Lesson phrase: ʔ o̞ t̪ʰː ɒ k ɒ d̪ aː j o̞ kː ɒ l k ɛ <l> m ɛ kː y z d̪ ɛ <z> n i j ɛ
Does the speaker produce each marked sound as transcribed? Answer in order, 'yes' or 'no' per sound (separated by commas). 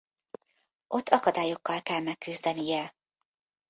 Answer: yes, no